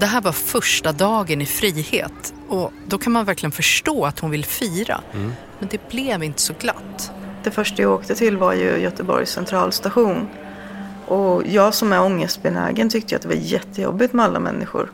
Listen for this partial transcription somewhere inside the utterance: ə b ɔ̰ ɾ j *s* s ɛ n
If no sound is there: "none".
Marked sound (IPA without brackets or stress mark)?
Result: s